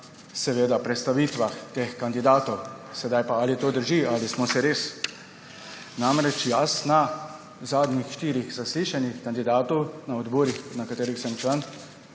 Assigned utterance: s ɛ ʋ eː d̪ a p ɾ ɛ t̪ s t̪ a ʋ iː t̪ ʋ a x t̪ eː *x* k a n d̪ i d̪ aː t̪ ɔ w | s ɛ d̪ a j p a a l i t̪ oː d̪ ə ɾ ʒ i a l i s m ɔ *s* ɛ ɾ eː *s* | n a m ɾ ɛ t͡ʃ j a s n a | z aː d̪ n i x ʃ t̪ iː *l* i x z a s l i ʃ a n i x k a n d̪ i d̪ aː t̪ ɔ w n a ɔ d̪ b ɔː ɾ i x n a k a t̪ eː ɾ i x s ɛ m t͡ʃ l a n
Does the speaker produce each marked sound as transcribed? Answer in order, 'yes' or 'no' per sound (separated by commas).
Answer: yes, yes, yes, no